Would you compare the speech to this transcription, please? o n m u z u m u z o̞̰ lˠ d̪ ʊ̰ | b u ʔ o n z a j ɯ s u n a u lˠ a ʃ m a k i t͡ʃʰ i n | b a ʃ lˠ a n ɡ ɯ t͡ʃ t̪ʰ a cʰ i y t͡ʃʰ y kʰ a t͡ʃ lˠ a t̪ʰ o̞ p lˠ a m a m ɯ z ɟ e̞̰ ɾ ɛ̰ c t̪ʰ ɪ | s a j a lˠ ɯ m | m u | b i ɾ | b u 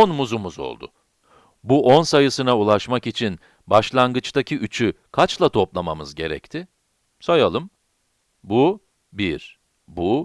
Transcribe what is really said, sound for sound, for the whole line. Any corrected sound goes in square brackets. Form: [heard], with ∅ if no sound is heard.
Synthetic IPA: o n m u z u m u z o̞̰ lˠ d̪ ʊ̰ | b u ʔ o n [s] a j ɯ s [ɯ] n a u lˠ a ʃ m a k i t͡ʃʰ i n | b a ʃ lˠ a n ɡ ɯ t͡ʃ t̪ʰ a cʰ i y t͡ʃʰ y kʰ a t͡ʃ lˠ a t̪ʰ o̞ p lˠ a m a m ɯ z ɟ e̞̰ ɾ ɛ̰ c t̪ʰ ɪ | s a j a lˠ ɯ m | [b] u | b i ɾ | b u